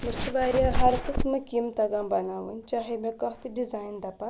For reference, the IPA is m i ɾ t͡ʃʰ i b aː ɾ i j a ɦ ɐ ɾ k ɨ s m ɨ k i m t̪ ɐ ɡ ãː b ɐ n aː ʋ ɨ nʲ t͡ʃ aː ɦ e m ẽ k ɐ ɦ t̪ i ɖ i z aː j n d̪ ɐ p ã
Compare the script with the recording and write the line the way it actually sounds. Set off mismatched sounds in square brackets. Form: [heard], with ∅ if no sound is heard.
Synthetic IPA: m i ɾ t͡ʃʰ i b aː ɾ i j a ɦ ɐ ɾ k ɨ s m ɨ k i m t̪ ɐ ɡ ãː b ɐ n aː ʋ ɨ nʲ t͡ʃ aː ɦ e m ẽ k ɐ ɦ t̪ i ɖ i z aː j n d̪ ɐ p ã